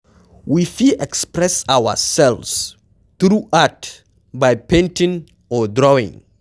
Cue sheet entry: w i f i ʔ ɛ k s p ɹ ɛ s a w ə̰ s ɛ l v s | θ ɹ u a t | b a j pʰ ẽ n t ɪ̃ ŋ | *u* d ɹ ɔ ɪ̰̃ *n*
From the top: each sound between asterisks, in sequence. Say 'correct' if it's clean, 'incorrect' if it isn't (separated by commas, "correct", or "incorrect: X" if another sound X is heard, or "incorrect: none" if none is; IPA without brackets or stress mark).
incorrect: ɔ, incorrect: ŋ